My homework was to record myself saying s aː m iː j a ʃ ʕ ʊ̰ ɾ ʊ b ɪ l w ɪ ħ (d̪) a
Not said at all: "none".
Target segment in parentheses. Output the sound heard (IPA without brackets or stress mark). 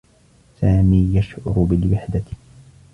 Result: d̪